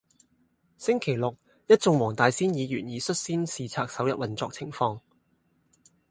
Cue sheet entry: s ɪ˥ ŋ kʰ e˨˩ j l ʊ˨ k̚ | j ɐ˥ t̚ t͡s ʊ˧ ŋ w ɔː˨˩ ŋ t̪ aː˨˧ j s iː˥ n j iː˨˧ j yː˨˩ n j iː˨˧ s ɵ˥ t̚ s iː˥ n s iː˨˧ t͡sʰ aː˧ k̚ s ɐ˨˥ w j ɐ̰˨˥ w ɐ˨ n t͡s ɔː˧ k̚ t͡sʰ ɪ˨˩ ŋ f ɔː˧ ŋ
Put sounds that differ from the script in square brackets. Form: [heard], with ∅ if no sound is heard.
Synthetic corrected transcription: s ɪ˥ ŋ kʰ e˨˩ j l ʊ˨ k̚ | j ɐ˥ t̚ t͡s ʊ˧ ŋ w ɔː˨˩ ŋ t̪ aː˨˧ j s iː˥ n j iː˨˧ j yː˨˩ n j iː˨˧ s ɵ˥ t̚ s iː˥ n s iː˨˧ t͡sʰ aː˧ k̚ s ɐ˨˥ w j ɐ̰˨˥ w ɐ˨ n t͡s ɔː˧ k̚ t͡sʰ ɪ˨˩ ŋ f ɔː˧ ŋ